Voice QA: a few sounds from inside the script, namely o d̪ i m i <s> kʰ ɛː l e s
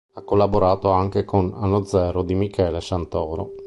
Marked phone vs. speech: incorrect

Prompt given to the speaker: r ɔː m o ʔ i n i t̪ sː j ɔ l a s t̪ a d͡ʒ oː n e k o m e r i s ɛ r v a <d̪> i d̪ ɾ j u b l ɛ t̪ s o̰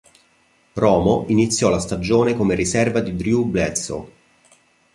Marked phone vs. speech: correct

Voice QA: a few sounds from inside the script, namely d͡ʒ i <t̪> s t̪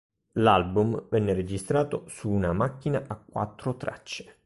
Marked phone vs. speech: incorrect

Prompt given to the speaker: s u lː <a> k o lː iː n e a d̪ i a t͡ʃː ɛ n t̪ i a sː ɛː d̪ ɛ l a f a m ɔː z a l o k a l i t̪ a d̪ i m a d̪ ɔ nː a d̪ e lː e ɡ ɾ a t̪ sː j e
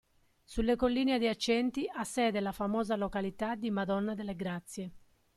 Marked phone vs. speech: incorrect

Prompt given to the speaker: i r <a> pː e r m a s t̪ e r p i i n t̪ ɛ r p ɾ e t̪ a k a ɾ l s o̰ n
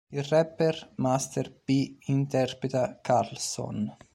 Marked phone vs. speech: incorrect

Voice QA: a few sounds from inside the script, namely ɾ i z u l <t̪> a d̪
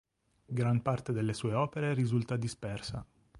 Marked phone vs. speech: correct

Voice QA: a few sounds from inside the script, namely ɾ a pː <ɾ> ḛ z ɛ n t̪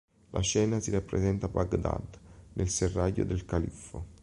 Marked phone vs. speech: correct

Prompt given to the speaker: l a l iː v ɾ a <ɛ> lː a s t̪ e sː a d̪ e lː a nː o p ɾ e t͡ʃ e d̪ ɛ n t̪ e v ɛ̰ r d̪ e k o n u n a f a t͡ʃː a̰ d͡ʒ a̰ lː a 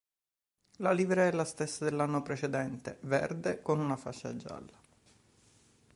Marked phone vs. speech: correct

